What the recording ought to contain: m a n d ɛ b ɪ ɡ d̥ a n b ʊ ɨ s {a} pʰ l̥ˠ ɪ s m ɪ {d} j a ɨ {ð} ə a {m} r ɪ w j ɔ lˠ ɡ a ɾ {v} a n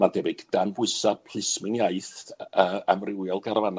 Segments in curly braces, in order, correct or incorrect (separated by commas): correct, incorrect, incorrect, correct, correct